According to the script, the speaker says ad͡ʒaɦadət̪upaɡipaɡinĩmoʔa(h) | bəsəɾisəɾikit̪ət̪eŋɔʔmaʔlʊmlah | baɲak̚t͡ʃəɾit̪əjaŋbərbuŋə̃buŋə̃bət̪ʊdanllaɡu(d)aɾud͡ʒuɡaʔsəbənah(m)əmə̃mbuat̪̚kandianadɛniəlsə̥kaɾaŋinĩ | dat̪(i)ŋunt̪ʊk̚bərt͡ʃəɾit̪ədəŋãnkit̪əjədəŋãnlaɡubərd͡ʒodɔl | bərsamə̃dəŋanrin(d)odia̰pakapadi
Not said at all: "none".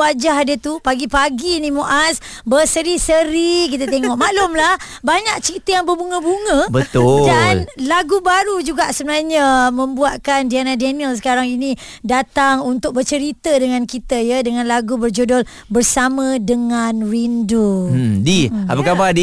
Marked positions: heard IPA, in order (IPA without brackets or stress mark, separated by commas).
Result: s, b, ɲ, a, d